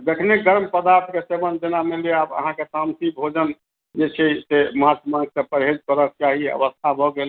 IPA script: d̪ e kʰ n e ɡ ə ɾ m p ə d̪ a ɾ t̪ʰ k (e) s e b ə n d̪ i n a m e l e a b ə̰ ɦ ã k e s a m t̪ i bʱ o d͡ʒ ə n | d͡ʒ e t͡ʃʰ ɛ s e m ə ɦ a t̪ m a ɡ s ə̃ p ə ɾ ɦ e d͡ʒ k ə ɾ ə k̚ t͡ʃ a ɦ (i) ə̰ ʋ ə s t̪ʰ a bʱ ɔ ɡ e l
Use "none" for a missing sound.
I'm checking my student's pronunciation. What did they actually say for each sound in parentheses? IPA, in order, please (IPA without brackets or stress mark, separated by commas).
e, i